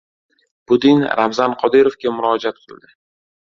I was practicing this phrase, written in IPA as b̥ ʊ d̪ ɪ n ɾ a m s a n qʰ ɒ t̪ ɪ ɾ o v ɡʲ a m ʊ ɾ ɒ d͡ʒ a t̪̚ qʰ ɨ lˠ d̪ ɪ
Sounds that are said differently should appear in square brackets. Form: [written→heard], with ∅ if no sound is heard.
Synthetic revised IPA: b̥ ʊ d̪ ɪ n ɾ a m [s→z] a n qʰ ɒ [t̪→d̪] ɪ ɾ o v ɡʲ a m ʊ ɾ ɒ d͡ʒ a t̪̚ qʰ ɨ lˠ d̪ ɪ